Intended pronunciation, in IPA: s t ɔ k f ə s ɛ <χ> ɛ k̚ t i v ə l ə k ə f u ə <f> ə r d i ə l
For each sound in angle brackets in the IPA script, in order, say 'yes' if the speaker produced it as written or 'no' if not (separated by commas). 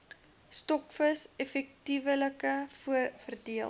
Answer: no, yes